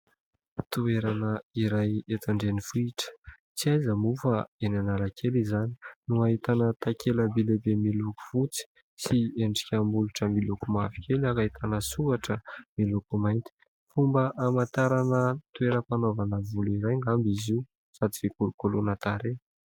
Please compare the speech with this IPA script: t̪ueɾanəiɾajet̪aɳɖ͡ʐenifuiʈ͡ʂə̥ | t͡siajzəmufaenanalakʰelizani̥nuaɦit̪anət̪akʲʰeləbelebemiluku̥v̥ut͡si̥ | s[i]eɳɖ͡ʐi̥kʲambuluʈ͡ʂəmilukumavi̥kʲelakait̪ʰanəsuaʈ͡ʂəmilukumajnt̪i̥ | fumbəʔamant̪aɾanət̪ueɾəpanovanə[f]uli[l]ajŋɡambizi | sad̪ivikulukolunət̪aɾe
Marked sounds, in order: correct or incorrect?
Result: correct, incorrect, incorrect

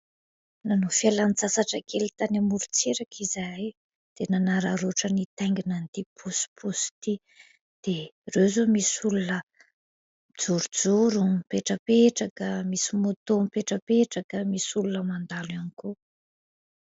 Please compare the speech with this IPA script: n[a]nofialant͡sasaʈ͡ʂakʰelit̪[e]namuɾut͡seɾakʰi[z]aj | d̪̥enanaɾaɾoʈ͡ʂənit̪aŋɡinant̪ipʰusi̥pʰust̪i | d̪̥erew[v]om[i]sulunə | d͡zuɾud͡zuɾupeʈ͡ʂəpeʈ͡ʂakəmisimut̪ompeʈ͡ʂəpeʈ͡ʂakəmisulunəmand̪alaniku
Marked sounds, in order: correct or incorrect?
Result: correct, incorrect, correct, incorrect, correct

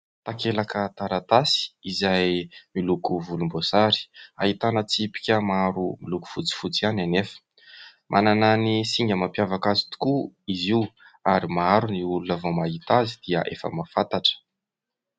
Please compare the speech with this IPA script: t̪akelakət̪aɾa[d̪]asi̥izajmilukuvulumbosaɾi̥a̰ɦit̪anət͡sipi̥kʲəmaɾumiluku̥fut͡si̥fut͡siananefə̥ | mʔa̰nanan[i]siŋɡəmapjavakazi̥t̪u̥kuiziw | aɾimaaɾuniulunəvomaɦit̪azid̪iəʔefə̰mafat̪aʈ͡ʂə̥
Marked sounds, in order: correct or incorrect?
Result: incorrect, correct

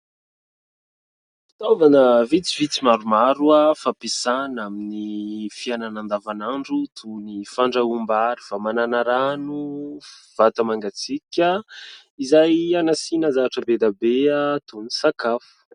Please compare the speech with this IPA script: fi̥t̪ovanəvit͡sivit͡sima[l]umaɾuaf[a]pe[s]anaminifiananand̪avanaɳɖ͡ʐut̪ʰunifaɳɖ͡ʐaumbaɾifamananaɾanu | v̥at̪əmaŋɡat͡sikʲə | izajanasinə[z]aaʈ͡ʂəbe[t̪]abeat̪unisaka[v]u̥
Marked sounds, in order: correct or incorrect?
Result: incorrect, correct, correct, correct, incorrect, incorrect

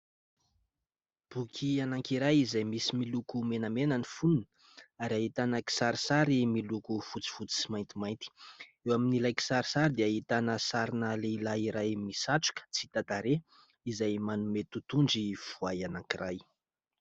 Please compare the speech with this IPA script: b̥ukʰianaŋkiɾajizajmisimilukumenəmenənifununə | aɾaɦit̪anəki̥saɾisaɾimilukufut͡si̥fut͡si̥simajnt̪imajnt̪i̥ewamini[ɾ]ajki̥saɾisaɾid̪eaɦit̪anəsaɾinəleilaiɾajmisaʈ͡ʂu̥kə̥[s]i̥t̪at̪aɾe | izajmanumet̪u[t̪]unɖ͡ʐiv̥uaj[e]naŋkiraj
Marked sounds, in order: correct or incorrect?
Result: incorrect, incorrect, correct, incorrect

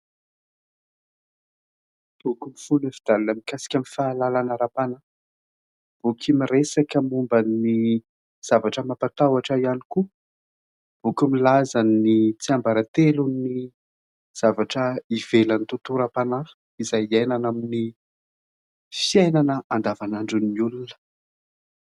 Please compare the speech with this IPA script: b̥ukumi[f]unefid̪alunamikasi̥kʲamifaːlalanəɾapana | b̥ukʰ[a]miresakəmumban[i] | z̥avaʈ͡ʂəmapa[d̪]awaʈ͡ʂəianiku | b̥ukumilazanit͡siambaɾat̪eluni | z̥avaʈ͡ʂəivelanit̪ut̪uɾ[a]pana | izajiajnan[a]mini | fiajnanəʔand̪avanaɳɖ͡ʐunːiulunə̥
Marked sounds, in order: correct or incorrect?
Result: correct, incorrect, correct, incorrect, correct, correct

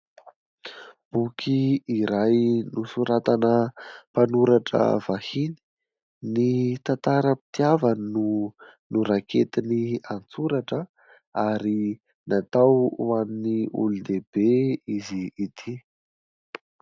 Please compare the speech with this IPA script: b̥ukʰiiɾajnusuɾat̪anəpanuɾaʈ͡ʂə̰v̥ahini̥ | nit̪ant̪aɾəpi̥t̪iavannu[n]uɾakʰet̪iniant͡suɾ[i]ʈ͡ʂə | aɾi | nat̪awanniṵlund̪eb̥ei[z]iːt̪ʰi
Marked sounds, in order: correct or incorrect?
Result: correct, incorrect, correct

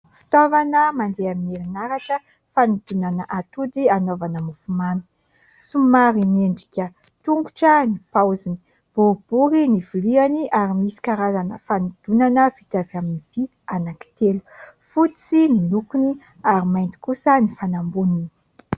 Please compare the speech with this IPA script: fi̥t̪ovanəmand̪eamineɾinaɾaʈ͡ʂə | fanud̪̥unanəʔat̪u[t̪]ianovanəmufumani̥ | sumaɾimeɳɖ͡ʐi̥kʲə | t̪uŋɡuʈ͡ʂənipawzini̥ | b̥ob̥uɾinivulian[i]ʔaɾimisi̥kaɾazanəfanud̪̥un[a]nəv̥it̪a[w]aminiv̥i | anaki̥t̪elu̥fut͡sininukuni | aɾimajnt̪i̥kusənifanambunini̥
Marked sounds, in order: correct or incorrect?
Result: incorrect, correct, correct, incorrect

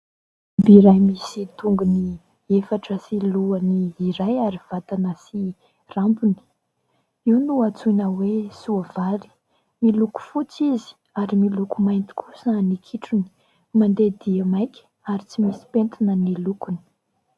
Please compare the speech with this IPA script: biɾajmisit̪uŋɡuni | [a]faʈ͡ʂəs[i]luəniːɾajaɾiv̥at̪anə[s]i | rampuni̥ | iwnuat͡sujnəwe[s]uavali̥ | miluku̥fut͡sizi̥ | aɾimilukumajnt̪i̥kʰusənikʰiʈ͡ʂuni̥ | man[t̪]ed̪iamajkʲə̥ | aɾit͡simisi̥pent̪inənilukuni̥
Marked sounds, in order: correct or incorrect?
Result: incorrect, correct, correct, correct, incorrect

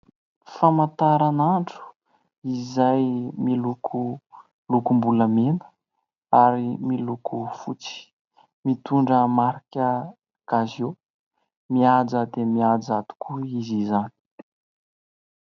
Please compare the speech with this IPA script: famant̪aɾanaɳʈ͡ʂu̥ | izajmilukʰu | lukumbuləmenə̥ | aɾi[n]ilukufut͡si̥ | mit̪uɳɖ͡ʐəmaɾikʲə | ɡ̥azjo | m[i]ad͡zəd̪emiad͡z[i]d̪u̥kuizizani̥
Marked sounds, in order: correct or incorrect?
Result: incorrect, correct, incorrect

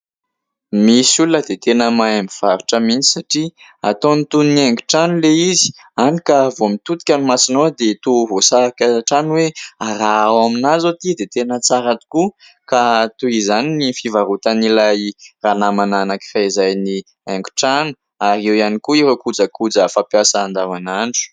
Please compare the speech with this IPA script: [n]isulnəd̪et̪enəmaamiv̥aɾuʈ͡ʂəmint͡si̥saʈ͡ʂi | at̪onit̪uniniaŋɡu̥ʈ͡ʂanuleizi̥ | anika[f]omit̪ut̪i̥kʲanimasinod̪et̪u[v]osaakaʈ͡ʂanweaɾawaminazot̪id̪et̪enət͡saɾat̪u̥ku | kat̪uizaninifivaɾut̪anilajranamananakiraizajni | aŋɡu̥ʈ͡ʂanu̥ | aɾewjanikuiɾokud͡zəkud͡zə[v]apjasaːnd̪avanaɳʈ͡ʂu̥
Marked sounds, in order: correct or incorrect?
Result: incorrect, incorrect, correct, incorrect

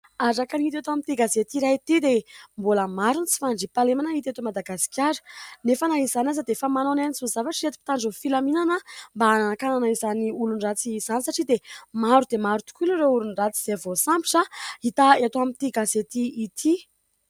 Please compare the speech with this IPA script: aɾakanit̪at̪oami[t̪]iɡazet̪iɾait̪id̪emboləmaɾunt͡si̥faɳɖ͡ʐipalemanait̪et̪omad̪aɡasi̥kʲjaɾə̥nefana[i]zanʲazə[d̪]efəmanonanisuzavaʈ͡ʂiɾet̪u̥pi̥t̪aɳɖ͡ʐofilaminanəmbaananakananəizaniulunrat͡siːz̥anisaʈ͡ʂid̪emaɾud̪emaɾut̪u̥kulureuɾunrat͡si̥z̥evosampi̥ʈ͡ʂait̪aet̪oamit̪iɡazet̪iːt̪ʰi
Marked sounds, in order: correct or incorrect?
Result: correct, correct, correct

